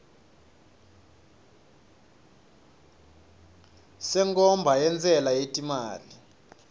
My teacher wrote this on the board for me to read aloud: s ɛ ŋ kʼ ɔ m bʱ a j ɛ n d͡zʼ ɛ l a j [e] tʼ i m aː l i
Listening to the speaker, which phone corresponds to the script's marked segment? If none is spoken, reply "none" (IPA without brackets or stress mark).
e